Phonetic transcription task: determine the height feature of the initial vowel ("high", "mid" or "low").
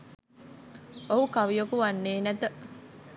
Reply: mid